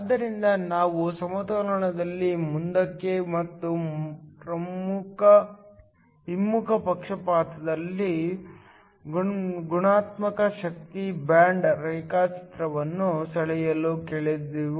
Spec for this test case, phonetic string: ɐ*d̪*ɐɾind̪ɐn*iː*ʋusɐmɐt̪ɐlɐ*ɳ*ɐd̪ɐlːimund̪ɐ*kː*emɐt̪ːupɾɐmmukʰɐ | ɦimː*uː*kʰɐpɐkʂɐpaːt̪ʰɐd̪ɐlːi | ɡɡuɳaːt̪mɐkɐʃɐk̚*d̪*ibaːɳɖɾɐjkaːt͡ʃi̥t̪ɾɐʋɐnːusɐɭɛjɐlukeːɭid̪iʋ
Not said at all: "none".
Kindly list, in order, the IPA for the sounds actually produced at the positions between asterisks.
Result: d̪ː, aː, ɳ, kː, u, t̪

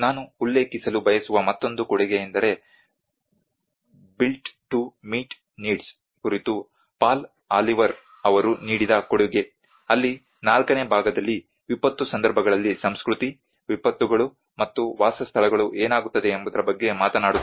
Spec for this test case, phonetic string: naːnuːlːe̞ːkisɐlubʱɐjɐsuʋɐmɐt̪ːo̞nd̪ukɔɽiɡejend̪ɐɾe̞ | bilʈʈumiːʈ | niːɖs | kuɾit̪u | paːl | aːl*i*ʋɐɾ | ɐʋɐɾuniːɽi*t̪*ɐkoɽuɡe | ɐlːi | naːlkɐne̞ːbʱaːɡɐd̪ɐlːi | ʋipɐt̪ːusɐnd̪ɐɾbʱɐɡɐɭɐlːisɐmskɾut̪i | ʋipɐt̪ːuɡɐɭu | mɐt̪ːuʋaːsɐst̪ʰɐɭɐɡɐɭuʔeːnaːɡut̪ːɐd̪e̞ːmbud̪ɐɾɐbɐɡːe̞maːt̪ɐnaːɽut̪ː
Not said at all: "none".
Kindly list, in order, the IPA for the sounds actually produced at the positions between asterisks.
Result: i, d̪

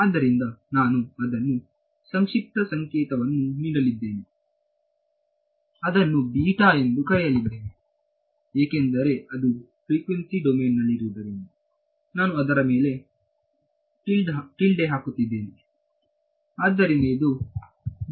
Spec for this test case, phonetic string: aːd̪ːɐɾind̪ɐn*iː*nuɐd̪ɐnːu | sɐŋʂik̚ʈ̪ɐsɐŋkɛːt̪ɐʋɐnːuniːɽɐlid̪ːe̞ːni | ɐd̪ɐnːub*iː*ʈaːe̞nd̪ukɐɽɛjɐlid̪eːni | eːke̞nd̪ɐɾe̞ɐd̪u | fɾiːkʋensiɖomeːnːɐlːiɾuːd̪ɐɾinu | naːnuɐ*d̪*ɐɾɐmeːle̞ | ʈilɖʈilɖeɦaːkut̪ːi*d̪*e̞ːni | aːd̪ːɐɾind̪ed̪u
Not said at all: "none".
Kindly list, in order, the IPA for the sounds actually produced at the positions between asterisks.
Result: aː, iː, d̪, d̪ː

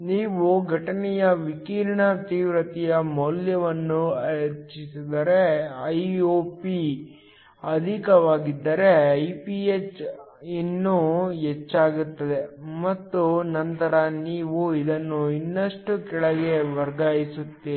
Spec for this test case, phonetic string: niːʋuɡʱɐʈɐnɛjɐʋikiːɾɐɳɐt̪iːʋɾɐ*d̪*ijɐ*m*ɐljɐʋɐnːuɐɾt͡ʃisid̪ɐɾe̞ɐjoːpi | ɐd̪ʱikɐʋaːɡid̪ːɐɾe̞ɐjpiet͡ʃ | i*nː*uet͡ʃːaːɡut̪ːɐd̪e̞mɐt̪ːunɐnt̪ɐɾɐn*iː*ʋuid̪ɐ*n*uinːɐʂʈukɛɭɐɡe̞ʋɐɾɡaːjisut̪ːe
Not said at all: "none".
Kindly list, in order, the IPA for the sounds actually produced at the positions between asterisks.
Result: t̪, m, nː, iː, nː

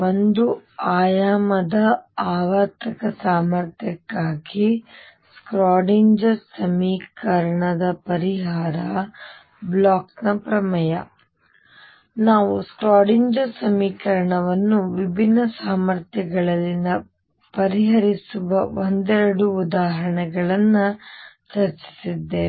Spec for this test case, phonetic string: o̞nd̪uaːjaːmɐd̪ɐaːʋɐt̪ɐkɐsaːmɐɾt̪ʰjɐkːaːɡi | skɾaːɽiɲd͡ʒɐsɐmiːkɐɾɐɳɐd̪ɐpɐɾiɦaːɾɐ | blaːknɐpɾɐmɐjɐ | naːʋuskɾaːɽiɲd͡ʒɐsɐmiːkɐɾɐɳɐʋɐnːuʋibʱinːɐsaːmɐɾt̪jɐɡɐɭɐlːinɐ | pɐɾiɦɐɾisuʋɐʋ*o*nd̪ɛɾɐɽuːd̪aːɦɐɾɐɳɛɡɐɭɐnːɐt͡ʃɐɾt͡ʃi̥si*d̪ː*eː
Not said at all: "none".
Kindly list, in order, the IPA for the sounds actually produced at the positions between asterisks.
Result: o, d̪ː

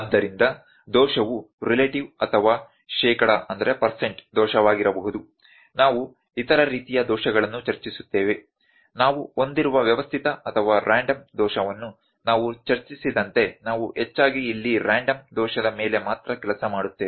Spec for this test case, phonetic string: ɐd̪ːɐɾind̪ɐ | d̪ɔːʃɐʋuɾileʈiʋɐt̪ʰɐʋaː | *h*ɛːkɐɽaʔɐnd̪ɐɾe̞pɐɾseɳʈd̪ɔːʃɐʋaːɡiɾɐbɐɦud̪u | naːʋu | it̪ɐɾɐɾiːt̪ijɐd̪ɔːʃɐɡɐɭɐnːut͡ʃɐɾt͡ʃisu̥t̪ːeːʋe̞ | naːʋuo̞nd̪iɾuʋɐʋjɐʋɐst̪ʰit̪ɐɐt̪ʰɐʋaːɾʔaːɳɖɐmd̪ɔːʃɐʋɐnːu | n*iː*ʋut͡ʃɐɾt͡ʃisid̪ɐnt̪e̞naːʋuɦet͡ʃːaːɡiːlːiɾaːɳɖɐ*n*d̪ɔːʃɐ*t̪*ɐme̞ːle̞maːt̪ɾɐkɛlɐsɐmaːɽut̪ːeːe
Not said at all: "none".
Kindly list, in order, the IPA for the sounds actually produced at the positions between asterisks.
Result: ʃ, aː, m, d̪

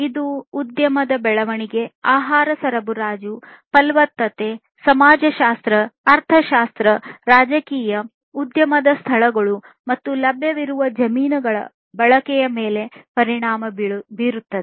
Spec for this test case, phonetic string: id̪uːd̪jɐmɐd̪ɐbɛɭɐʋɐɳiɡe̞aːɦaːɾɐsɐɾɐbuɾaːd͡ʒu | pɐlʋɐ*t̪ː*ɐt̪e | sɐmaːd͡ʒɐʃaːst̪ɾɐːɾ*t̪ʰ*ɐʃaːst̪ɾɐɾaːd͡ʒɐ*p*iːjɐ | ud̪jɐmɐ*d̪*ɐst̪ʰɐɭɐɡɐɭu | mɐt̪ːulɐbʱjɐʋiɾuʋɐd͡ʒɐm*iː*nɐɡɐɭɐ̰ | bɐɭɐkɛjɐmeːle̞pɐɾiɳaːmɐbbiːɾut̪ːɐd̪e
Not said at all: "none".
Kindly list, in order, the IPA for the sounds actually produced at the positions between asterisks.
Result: t̪ː, t̪ʰ, k, d̪, iː

